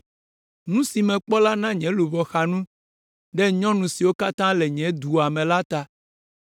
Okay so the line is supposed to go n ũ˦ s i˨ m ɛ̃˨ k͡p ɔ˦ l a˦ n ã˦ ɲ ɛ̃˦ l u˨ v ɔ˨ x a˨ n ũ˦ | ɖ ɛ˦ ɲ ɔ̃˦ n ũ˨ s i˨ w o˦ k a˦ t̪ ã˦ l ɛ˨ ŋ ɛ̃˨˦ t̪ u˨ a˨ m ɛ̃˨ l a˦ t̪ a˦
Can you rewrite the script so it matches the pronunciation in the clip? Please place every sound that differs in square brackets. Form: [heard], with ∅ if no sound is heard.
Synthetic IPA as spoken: n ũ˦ s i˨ m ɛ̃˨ k͡p ɔ˦ l a˦ n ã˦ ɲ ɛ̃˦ l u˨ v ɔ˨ x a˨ n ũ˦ | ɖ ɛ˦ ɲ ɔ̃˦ n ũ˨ s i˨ w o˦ k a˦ t̪ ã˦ l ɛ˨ [ɲ] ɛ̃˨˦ [d̪] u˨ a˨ m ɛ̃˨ l a˦ t̪ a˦